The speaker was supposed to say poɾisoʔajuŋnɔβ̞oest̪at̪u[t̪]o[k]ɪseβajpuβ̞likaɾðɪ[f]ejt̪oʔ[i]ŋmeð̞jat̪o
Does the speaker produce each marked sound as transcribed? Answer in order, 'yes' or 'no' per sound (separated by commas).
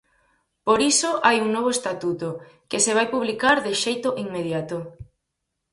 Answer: yes, yes, no, yes